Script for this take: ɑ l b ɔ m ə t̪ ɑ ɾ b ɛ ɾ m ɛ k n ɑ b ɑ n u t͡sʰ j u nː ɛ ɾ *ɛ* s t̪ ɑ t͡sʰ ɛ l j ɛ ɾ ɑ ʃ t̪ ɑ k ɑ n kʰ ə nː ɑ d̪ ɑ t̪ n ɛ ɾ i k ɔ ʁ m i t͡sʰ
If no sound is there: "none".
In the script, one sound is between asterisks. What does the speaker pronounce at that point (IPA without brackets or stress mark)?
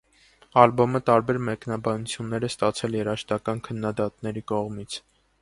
ɛ